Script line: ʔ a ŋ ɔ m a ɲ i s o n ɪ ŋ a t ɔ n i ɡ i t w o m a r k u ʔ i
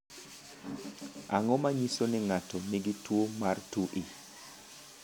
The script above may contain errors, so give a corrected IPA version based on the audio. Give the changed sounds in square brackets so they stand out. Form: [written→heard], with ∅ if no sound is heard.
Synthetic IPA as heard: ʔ a ŋ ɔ m a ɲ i s o n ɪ ŋ a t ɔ n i ɡ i t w o m a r [k→t] u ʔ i